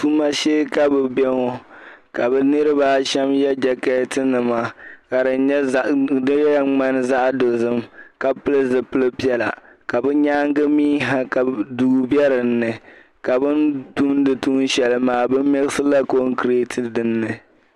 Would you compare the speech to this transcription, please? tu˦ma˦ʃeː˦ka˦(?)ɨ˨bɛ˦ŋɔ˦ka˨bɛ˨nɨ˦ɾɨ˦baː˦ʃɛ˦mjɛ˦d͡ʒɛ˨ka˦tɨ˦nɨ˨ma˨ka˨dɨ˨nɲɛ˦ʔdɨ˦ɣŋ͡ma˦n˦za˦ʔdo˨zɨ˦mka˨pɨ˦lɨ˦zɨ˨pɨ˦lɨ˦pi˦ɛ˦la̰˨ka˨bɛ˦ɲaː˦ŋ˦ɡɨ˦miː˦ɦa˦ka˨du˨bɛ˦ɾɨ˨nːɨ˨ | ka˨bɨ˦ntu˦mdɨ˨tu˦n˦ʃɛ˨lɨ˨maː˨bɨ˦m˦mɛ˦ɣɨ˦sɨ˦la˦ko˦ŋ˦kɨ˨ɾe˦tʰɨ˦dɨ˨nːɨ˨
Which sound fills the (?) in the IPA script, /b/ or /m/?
b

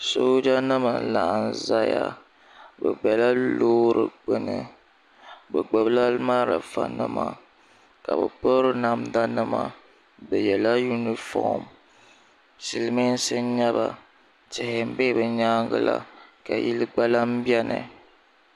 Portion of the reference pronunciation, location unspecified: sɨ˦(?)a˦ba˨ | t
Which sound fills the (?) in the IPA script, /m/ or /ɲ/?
ɲ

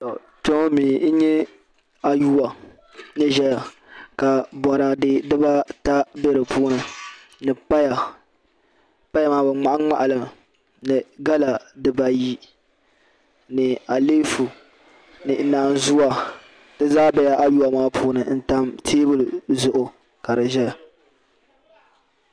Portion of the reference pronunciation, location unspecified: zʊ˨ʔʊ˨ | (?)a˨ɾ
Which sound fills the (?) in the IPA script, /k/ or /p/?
k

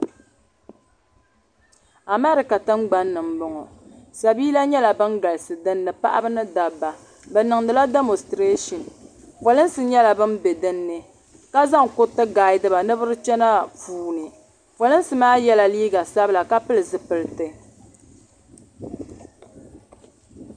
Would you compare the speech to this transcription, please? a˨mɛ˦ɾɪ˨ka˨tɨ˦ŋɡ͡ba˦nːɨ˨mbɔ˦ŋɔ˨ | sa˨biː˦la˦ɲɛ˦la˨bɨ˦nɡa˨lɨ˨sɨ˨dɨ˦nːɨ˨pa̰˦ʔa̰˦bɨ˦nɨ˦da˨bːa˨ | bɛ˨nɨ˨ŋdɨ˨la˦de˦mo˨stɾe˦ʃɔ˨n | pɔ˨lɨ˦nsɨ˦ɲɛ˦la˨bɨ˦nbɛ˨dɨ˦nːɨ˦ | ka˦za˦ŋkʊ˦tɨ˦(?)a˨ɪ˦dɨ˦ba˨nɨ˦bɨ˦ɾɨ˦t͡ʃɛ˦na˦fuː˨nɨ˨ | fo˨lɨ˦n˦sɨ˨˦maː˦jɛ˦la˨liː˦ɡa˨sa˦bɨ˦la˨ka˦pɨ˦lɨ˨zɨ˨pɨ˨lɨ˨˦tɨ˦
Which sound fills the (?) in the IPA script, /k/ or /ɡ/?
ɡ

